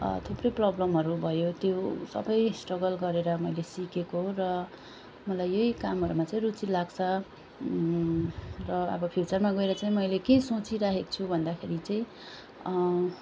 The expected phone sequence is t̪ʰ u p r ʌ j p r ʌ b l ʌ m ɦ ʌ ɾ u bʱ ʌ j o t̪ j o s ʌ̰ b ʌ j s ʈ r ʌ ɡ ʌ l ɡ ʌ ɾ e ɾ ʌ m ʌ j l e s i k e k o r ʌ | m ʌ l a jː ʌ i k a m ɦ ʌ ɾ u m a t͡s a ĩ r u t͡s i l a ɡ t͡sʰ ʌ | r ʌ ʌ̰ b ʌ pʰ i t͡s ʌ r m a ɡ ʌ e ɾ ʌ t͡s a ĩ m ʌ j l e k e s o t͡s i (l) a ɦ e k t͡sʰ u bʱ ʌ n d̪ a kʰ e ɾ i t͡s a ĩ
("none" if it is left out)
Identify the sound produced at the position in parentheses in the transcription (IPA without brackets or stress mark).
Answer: ɾ